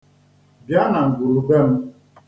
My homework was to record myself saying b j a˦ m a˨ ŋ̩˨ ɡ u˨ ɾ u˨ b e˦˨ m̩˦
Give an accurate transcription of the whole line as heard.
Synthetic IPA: b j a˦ n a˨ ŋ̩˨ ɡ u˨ ɾ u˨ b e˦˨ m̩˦